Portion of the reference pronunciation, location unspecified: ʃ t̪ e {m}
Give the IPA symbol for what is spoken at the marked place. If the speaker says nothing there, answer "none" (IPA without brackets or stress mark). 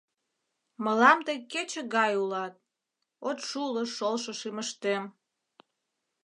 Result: m